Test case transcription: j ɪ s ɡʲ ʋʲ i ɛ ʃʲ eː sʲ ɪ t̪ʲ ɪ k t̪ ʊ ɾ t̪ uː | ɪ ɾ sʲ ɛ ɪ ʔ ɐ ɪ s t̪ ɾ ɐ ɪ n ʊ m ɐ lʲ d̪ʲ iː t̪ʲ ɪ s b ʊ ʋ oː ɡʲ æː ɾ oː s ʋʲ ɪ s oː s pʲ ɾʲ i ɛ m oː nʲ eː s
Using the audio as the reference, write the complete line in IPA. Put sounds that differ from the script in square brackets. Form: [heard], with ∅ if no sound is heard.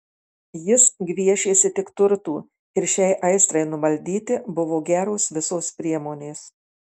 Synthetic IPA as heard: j ɪ s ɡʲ ʋʲ i ɛ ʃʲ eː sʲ ɪ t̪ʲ ɪ k t̪ ʊ ɾ t̪ uː | ɪ ɾ [ʃʲ] ɛ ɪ ʔ ɐ ɪ s t̪ ɾ ɐ ɪ n ʊ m ɐ lʲ d̪ʲ iː t̪ʲ ɪ [∅] b ʊ ʋ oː ɡʲ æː ɾ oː s ʋʲ ɪ s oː s pʲ ɾʲ i ɛ m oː nʲ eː s